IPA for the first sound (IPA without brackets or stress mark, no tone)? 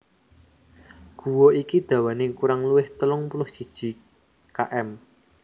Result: ɡ̥